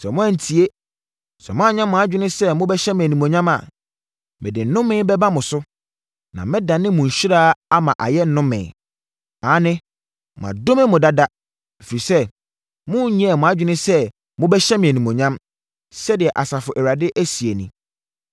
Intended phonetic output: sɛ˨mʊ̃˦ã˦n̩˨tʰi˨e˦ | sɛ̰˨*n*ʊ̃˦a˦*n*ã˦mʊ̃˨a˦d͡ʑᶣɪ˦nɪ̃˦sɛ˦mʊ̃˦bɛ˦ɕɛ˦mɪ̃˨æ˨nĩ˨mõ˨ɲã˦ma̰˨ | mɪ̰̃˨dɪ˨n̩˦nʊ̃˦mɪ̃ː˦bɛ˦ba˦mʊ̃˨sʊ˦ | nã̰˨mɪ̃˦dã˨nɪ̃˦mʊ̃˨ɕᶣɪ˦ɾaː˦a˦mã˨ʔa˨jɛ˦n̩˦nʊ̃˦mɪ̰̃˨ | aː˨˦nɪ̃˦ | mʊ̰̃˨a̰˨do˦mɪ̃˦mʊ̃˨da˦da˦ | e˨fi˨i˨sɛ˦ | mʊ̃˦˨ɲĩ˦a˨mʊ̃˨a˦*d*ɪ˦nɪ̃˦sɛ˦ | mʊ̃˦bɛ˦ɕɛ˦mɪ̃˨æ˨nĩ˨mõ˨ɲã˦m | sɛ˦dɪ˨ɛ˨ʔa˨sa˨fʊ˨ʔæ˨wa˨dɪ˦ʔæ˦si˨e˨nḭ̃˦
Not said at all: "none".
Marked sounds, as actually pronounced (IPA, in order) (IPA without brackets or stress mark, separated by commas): m, ɲ, d͡ʑᶣ